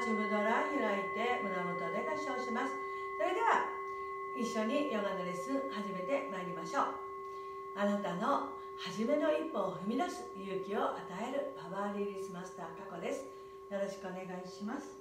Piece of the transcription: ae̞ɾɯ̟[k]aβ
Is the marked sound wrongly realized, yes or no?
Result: yes